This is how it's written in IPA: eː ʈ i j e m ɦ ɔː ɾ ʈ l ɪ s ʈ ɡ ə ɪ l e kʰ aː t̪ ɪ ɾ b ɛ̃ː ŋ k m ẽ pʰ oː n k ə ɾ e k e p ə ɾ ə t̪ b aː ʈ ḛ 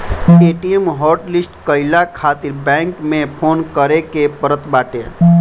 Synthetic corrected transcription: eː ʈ i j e m ɦ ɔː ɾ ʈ l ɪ s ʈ k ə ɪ l a kʰ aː t̪ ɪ ɾ b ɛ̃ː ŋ k m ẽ pʰ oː n k ə ɾ e k e p ə ɾ ə t̪ b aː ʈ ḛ